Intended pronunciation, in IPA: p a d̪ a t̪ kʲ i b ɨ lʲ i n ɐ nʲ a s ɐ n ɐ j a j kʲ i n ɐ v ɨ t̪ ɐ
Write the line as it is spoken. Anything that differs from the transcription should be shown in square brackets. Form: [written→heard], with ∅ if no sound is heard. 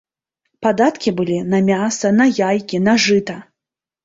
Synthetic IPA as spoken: p a d̪ a t̪ kʲ i b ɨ lʲ i n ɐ [nʲ→mʲ] a s ɐ n ɐ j a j kʲ i n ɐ [v→ʐ] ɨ t̪ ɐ